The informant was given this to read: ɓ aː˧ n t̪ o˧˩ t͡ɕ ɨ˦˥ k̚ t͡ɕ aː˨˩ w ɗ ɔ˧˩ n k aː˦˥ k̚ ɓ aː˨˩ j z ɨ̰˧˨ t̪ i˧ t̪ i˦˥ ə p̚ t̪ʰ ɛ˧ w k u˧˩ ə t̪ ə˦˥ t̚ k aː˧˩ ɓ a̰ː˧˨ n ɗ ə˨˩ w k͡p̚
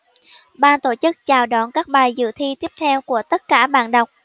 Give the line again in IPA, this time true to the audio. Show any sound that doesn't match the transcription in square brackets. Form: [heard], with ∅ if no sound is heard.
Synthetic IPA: ɓ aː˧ n t̪ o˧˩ t͡ɕ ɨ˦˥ k̚ t͡ɕ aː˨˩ w ɗ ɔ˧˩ n k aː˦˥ k̚ ɓ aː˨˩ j z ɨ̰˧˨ [t̪ʰ] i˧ t̪ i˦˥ ə p̚ t̪ʰ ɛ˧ w k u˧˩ ə t̪ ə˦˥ t̚ k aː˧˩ ɓ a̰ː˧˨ n ɗ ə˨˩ w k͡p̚